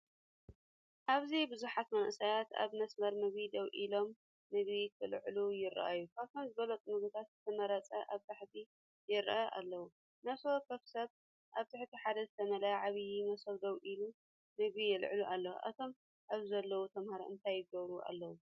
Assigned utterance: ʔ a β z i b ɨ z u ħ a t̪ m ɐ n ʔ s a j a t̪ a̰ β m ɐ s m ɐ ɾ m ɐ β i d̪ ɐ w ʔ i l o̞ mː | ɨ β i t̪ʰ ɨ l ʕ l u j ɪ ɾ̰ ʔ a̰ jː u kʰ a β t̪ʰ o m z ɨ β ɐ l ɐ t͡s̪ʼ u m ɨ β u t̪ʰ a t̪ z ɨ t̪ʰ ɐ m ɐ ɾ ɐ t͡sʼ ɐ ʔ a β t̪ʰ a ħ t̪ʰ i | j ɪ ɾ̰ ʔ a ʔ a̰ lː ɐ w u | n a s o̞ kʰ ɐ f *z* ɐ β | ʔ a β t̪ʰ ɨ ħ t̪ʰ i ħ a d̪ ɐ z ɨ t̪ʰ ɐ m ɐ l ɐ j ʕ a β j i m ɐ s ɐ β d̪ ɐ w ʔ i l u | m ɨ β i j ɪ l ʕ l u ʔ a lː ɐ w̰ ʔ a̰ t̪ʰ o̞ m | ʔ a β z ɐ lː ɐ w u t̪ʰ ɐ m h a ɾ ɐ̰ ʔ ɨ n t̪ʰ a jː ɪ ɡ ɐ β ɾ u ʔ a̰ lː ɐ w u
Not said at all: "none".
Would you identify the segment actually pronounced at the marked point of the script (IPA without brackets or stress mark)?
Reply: s